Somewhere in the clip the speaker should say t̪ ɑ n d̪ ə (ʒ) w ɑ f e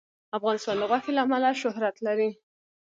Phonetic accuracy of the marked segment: incorrect: ɣ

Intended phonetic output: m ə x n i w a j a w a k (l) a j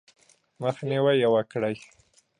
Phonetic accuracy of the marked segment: incorrect: ɽ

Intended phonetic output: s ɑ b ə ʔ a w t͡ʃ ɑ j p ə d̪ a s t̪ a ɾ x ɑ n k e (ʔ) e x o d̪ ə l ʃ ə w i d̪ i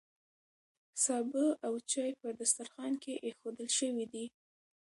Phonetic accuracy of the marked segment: correct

